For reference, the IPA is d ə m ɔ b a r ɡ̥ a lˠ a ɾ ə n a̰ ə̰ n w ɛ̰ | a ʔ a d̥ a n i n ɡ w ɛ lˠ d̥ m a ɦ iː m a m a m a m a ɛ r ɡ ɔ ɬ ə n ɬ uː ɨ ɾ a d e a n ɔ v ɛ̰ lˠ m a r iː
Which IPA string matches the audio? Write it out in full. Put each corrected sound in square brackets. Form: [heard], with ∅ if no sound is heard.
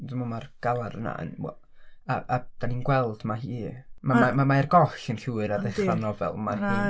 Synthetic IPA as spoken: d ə m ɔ [m] a r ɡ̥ a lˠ a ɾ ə n a̰ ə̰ n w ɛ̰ | a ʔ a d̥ a n i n ɡ w ɛ lˠ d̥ m a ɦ iː m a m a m a m a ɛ r ɡ ɔ ɬ ə n ɬ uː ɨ ɾ a d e a n ɔ v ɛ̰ lˠ m a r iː